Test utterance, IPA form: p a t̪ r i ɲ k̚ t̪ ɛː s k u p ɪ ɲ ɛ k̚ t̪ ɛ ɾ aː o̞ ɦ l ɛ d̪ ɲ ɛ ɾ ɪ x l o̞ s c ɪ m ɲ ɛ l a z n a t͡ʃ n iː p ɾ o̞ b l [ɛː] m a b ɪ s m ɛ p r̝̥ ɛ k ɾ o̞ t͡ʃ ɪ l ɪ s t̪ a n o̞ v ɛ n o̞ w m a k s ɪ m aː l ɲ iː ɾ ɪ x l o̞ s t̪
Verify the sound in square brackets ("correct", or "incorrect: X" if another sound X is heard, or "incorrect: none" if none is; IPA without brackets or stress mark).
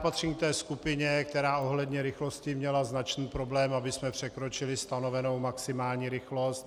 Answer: correct